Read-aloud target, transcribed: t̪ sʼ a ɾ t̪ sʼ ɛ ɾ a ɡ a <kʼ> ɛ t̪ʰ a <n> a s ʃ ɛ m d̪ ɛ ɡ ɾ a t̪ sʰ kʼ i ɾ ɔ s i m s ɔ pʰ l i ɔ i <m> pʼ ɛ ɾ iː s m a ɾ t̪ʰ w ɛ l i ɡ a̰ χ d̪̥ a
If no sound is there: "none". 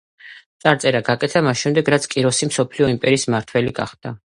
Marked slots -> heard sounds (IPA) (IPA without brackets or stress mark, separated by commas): kʼ, m, m